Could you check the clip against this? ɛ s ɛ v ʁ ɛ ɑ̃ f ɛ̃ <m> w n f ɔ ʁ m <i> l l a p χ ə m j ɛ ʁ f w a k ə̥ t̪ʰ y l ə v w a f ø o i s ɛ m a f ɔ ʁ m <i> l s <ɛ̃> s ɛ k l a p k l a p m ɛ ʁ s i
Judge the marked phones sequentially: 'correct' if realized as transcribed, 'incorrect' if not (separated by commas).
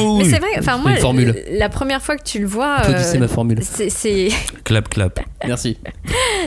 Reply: correct, incorrect, incorrect, incorrect